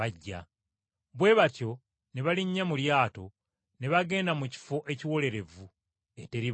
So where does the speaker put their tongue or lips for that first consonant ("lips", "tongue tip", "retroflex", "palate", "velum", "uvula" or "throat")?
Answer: palate